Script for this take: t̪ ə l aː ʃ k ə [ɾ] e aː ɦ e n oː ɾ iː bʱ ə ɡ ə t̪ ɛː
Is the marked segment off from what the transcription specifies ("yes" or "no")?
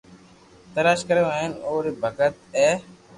no